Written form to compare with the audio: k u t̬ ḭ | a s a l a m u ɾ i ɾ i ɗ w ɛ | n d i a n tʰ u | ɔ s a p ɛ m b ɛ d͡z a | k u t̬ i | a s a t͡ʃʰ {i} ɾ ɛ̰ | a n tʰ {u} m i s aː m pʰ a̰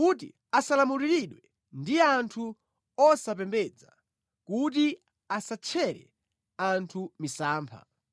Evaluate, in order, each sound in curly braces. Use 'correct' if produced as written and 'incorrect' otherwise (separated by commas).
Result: incorrect, correct